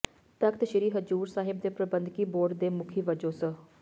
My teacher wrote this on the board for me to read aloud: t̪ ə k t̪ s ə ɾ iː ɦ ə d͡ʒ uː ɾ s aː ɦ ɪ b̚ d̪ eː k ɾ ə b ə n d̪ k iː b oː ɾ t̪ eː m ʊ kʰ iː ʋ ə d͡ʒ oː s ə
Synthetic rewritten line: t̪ ə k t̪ ʃ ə ɾ iː ɦ ə d͡ʒ uː ɾ s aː ɦ ɪ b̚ d̪ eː p ɾ ə b ə n d̪ k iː b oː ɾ d̪ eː m ʊ kʰ iː ʋ ə d͡ʒ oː s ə